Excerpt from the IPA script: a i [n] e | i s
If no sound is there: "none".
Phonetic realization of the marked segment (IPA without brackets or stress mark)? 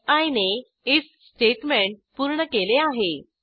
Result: n